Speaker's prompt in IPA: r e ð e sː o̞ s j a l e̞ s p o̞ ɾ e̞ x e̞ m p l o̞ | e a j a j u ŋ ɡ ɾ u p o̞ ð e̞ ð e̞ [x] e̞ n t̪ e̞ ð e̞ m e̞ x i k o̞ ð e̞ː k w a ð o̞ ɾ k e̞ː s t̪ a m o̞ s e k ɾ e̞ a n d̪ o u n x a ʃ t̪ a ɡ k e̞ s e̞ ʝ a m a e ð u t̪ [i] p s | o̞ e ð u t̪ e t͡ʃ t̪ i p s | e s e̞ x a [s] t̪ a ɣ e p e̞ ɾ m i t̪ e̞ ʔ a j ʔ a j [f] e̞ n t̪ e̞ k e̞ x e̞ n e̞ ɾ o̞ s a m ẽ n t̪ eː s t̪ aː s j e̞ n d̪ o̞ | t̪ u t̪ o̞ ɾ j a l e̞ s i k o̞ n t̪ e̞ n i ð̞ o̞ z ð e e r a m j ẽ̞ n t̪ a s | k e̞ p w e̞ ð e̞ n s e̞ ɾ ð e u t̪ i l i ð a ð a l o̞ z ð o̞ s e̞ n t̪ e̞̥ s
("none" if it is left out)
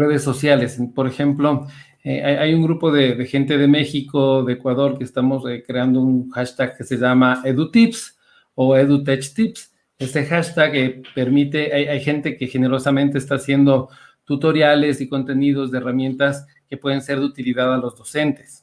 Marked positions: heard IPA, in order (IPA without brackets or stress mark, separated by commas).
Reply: x, i, ʃ, x